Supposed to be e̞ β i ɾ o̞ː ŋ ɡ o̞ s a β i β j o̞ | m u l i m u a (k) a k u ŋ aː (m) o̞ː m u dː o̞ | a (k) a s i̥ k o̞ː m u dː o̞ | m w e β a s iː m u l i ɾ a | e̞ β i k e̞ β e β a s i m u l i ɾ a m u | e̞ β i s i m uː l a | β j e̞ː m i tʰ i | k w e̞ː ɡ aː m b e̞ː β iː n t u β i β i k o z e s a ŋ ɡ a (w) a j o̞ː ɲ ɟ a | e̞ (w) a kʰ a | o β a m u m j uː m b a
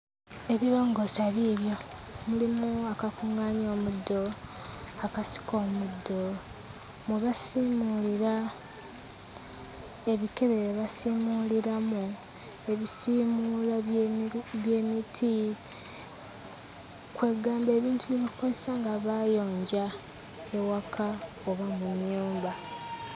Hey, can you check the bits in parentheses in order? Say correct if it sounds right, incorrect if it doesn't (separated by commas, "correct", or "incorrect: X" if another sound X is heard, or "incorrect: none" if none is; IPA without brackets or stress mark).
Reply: correct, incorrect: ɲ, correct, incorrect: β, correct